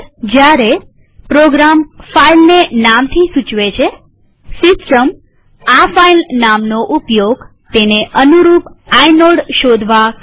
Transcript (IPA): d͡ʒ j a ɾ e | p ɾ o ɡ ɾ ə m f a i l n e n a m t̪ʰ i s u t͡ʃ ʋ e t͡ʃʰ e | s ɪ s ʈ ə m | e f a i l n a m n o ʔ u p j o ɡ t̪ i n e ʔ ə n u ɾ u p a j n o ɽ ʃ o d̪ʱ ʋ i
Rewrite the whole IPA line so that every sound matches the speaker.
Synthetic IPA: d͡ʒ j a ɾ e | p ɾ o ɡ ɾ a m f a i l n e n a m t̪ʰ i s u t͡ʃ ʋ e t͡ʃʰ e | s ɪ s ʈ ə m | a f a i l n a m n o ʔ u p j o ɡ t̪ e n e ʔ ə n u ɾ u p a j n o ɽ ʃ o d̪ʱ ʋ a